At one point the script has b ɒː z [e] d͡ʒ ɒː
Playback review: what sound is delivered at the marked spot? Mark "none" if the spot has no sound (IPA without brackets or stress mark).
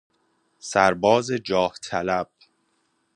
e